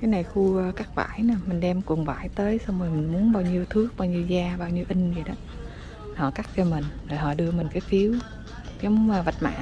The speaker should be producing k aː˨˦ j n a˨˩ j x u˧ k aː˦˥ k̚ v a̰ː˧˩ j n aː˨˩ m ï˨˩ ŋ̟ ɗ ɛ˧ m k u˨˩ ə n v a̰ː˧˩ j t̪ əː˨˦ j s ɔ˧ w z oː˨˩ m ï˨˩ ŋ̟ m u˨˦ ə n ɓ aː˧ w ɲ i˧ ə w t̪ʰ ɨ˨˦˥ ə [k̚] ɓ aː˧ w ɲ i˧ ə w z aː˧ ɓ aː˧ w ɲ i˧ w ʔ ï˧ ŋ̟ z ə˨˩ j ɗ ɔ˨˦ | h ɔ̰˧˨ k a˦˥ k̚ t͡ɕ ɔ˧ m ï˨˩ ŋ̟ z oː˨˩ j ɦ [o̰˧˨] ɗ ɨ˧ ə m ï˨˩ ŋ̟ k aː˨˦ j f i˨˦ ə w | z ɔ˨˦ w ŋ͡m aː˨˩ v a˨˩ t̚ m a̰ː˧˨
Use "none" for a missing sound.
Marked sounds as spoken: k̚, ɔ̰˧˨

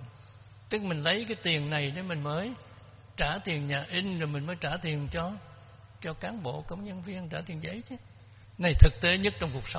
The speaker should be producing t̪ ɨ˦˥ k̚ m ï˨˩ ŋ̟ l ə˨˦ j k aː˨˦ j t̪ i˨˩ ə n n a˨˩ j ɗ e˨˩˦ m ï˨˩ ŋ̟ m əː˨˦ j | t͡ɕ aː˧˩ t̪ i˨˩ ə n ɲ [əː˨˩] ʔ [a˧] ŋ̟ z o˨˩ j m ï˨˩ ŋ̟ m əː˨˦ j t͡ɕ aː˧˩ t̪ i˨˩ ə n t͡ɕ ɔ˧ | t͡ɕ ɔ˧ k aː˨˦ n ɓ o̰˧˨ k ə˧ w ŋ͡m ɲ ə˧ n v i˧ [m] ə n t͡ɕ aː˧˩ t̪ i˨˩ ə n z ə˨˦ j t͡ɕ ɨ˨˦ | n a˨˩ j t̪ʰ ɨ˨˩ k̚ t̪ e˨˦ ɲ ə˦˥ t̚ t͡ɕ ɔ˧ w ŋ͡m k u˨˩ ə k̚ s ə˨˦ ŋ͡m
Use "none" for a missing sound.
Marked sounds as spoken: aː˨˩, i˧, none

